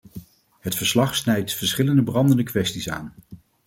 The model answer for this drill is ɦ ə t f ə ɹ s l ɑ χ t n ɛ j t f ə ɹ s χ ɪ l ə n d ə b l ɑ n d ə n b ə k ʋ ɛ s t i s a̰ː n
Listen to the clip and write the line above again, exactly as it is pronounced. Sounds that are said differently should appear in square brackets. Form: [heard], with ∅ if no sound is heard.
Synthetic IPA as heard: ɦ ə t f ə ɹ s l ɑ χ [s] n ɛ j t f ə ɹ s χ ɪ l ə n d ə b [r] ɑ n d ə n [d] ə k ʋ ɛ s t i s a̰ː n